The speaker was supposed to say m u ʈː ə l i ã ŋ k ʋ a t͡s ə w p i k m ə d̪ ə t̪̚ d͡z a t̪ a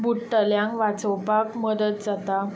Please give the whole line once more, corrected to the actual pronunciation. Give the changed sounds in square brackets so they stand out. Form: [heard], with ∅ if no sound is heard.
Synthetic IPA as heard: [b] u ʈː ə l [j] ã ŋ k ʋ a t͡s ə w p [a] k m ə d̪ ə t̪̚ d͡z a t̪ a